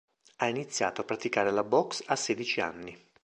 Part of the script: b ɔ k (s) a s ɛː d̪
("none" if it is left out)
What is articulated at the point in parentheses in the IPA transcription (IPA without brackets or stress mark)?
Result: s